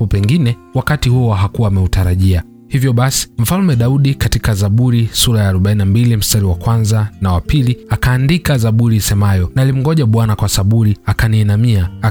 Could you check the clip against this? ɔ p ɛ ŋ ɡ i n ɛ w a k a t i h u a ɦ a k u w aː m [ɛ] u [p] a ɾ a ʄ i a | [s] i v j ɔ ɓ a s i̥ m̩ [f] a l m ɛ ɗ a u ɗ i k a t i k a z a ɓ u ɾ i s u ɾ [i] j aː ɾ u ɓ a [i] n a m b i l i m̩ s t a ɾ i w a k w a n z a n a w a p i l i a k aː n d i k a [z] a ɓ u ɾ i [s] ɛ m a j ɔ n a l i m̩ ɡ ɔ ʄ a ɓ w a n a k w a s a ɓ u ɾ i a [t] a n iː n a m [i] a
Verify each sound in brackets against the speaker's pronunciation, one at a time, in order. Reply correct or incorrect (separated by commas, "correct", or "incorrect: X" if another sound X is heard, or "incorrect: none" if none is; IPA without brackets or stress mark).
correct, incorrect: t, incorrect: h, correct, incorrect: a, correct, correct, correct, incorrect: k, correct